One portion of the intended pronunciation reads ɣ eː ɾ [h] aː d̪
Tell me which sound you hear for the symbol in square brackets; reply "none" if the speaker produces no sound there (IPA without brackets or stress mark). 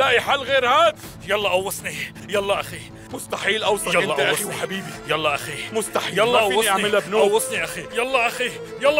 h